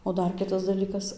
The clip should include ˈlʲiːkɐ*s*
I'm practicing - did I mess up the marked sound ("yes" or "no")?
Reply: no